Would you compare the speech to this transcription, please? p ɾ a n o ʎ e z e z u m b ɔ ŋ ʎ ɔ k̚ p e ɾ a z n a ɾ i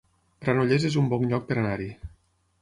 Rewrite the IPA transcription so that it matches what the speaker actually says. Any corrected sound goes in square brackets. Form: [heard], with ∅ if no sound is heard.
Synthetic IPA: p ɾ a n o ʎ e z e z u m b ɔ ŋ ʎ ɔ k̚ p e ɾ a [∅] n a ɾ i